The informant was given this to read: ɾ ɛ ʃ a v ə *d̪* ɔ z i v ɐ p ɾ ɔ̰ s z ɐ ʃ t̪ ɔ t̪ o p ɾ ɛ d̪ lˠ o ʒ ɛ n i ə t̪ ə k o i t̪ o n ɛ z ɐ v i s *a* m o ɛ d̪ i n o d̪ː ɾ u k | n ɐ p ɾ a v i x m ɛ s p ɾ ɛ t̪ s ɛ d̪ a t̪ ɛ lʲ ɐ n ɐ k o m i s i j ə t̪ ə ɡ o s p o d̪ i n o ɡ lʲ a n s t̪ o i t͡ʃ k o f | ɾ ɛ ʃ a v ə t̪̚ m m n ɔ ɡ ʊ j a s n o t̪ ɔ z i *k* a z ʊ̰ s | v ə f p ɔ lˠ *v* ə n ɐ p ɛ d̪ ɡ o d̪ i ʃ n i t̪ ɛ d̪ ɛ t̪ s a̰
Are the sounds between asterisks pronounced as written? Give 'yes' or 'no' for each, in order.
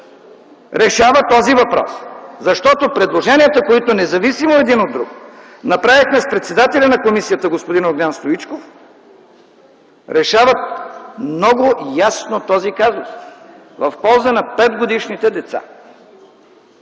no, no, yes, no

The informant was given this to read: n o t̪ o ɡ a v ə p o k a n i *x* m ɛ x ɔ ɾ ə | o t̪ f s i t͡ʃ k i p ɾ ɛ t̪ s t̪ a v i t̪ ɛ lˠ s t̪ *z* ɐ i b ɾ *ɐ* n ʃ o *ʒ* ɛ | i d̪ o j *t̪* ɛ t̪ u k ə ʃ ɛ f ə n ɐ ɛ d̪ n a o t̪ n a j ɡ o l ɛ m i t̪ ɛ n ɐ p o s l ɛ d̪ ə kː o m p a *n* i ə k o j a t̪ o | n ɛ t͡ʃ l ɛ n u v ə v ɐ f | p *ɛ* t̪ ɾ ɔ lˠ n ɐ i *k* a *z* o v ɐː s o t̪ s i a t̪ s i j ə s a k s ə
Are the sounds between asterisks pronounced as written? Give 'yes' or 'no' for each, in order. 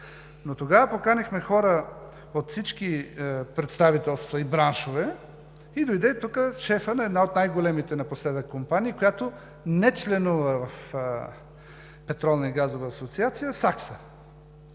yes, no, no, no, no, yes, yes, no, yes

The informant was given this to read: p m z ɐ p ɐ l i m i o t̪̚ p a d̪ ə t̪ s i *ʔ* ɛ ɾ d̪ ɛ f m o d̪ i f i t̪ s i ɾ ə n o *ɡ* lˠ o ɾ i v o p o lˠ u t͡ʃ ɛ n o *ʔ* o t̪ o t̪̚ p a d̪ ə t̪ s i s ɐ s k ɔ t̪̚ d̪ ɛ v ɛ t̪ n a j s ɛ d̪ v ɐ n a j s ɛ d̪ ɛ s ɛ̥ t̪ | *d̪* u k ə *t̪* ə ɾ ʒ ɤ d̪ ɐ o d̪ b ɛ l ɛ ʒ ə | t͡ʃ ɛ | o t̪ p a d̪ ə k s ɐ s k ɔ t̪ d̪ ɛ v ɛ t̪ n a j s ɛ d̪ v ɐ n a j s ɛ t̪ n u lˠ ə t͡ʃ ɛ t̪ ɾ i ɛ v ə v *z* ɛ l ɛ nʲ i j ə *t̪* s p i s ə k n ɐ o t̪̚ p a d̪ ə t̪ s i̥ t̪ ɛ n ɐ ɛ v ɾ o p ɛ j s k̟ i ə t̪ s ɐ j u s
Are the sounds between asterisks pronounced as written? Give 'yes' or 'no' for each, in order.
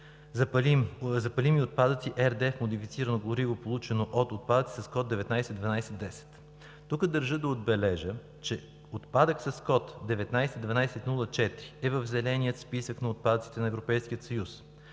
yes, yes, yes, no, no, yes, yes

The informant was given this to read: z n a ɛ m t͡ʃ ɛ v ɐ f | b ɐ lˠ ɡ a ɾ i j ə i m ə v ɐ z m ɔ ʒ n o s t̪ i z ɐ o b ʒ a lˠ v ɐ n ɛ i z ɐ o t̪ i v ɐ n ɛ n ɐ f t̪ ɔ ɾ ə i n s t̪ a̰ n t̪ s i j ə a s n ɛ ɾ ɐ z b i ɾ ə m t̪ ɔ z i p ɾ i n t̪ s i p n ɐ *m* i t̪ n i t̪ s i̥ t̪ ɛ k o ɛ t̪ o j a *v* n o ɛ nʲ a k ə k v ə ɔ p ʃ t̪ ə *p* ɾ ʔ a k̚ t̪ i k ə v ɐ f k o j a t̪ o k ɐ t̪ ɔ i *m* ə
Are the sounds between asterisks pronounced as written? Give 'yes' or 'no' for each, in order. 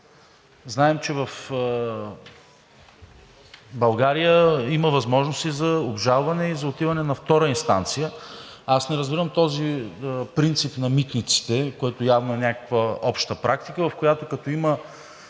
yes, yes, yes, yes

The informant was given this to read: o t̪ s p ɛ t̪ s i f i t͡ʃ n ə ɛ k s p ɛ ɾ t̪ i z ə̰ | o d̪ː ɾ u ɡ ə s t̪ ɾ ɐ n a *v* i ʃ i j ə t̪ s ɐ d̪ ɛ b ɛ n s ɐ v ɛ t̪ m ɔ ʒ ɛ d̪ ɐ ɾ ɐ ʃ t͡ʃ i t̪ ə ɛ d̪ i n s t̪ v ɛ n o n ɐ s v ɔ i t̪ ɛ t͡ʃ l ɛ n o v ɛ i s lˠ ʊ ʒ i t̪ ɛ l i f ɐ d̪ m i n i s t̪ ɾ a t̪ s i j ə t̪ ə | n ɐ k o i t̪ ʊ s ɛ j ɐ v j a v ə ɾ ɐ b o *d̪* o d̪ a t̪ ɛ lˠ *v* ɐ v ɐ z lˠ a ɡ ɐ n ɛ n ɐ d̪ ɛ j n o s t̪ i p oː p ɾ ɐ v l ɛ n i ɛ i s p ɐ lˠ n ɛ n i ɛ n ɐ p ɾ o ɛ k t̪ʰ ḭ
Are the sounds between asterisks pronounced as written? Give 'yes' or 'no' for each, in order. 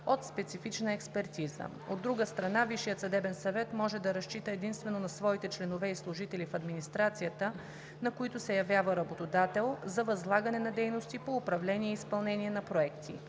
yes, no, no

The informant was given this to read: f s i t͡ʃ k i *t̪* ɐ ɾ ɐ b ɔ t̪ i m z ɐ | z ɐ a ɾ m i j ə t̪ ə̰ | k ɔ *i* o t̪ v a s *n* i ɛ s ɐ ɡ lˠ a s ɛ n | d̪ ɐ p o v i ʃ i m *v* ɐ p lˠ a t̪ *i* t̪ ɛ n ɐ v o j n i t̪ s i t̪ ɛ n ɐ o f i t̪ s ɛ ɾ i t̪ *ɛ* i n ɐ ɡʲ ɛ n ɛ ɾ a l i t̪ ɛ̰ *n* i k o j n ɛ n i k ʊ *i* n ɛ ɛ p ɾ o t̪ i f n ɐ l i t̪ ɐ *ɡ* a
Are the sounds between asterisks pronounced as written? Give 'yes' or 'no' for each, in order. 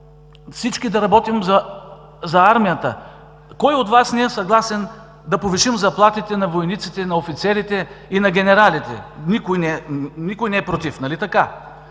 no, no, yes, no, yes, yes, yes, no, no

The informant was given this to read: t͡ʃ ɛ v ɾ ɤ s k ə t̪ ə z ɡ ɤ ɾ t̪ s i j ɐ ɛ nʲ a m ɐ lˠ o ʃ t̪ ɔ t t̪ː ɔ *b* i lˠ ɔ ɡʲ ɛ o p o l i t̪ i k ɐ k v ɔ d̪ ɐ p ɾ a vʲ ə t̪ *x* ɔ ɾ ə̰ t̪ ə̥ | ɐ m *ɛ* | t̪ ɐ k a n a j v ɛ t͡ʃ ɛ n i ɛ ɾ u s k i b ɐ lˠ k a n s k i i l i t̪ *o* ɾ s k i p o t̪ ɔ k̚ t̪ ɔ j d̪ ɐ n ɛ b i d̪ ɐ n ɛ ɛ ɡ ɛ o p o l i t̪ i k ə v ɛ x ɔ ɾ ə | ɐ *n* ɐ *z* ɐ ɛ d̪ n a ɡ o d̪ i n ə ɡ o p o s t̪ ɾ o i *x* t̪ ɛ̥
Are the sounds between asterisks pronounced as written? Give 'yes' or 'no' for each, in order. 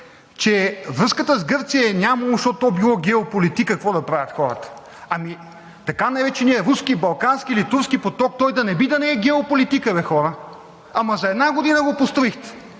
yes, yes, no, no, no, yes, yes

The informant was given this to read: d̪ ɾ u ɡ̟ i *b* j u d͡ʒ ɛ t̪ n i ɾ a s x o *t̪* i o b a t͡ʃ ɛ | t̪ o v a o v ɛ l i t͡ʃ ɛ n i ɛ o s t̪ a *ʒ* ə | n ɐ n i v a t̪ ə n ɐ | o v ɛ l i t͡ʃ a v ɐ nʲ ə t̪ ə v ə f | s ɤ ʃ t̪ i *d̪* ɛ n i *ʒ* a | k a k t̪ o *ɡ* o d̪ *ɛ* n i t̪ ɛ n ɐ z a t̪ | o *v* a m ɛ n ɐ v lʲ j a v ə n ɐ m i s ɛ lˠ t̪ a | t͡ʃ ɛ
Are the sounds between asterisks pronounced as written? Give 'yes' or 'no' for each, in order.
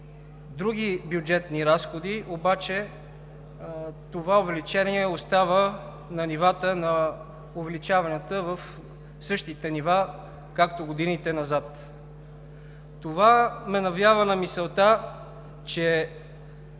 yes, no, no, no, no, yes, no, yes

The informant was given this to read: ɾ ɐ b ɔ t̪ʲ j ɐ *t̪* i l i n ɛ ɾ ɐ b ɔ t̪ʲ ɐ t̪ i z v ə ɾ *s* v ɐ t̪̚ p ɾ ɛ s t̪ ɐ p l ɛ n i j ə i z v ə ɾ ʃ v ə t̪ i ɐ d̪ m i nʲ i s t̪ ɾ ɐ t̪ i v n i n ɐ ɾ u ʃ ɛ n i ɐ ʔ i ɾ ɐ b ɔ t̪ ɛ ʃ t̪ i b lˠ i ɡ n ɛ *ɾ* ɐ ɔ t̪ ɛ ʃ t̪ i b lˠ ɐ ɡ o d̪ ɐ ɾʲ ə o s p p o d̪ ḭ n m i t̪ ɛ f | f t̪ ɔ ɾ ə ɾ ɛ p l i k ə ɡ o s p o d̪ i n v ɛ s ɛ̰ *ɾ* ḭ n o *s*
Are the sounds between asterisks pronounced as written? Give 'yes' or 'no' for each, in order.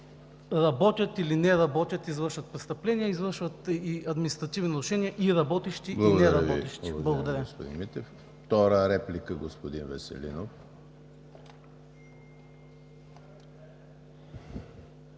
yes, no, yes, no, no

